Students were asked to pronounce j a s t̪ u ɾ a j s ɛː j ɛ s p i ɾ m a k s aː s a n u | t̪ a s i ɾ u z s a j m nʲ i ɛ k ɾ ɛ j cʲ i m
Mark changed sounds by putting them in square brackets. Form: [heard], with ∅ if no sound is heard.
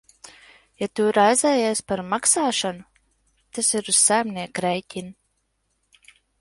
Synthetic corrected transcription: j a [∅] t̪ u ɾ a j [z] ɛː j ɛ s p [a] ɾ m a k s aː [ʃ] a n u | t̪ a s i ɾ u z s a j m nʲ i ɛ k ɾ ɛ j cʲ i [n]